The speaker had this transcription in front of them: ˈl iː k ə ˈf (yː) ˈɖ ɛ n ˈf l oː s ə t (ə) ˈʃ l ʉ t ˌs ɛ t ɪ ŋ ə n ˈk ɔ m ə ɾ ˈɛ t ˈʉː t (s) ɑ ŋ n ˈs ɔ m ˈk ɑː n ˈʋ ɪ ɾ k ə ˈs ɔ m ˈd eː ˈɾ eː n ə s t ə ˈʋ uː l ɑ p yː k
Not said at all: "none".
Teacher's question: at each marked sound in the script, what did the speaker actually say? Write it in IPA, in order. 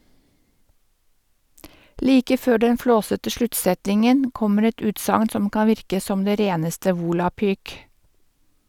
øː, ə, s

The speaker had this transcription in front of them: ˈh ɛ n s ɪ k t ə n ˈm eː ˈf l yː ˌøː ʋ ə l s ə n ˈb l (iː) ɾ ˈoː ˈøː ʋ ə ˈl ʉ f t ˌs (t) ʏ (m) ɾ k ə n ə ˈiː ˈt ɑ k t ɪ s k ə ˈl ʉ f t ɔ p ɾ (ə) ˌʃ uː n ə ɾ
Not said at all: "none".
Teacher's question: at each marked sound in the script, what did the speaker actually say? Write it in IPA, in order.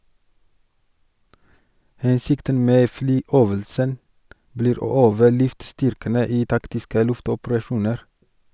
iː, t, none, ɑ

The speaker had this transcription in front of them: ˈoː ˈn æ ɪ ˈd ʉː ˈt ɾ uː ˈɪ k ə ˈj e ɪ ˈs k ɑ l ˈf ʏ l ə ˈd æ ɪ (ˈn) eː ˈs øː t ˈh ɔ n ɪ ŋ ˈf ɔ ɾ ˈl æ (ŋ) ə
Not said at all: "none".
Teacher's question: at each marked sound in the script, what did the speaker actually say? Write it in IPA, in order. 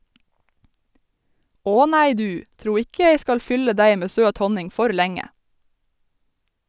m, ŋ

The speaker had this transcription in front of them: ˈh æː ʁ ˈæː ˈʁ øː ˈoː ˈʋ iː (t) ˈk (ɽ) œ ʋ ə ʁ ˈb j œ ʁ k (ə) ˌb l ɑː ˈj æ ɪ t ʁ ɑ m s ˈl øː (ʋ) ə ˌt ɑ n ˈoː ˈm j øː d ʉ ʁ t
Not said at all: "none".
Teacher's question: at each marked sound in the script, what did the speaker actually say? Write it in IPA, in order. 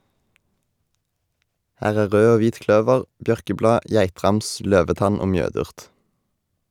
t, l, ə, ʋ

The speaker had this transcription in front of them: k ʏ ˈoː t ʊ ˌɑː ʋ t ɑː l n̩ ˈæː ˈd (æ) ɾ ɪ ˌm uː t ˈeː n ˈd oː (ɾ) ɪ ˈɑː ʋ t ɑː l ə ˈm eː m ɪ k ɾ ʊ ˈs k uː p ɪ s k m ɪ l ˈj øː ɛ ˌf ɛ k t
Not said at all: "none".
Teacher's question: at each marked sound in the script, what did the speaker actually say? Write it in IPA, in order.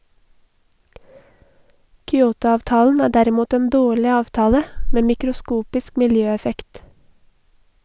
æ, ɭ

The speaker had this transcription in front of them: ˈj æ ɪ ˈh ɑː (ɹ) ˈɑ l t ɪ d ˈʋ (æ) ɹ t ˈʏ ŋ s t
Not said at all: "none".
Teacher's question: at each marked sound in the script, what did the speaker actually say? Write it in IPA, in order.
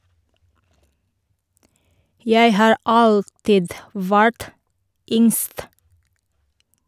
ɹ, æ

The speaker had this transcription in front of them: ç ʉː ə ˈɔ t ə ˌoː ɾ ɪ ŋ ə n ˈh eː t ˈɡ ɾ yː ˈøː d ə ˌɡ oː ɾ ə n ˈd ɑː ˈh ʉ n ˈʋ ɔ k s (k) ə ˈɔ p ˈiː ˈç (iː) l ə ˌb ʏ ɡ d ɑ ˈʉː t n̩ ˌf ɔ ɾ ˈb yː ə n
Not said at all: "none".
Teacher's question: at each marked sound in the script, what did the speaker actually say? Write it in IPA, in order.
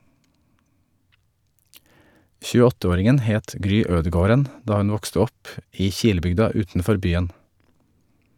t, iː

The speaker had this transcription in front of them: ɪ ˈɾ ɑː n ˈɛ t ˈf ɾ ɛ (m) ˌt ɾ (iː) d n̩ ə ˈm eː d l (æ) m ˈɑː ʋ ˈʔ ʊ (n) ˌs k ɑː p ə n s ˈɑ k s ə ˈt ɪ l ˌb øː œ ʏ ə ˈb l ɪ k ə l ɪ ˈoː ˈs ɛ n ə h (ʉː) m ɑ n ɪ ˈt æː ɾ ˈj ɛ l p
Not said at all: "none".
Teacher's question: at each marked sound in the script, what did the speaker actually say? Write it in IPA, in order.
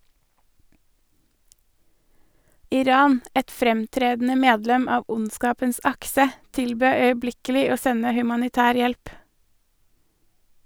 m, eː, ɛ, n, ʉ

